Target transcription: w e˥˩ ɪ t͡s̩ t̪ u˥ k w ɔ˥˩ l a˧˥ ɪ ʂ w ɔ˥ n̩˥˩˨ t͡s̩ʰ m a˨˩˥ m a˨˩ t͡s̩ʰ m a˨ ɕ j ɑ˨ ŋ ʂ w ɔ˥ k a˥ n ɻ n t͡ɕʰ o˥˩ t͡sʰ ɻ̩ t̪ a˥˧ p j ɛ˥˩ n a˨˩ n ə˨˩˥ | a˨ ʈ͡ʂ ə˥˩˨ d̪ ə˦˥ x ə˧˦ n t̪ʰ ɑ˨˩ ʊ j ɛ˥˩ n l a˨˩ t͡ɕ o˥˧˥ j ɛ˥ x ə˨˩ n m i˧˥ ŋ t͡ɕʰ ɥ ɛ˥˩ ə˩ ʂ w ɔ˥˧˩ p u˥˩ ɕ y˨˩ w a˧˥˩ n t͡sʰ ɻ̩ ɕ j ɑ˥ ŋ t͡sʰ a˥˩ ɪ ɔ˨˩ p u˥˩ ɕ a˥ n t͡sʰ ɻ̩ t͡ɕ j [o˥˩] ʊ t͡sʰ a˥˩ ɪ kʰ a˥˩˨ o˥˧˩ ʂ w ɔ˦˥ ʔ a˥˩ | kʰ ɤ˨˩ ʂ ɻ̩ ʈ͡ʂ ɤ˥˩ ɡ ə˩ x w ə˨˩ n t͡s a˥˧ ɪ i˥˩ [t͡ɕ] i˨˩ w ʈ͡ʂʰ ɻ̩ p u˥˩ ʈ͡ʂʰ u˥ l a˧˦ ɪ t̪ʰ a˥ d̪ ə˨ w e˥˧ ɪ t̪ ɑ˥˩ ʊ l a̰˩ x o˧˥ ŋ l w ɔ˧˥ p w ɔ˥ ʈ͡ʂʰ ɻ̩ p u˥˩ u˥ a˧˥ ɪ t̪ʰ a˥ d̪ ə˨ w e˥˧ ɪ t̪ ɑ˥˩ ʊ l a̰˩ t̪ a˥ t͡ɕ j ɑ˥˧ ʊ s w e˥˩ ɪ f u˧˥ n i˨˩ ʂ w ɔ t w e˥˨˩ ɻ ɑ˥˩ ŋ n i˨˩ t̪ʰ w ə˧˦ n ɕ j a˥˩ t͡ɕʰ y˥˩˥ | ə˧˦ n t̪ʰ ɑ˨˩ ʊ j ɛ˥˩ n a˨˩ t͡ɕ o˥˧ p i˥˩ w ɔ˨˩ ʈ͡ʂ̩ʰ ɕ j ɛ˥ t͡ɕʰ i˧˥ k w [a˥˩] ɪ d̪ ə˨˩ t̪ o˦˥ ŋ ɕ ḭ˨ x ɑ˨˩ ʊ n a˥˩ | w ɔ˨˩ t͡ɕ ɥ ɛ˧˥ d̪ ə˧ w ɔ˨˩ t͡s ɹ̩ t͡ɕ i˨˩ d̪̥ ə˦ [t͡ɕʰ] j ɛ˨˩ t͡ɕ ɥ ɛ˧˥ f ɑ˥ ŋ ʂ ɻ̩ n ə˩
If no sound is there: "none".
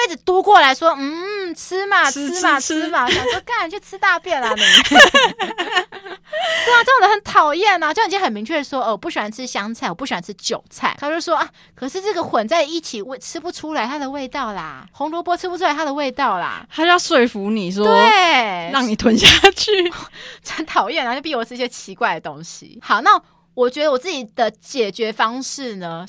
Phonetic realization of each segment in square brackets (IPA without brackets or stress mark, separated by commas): o˨˩, t͡ɕʰ, a˥˩, t͡ɕ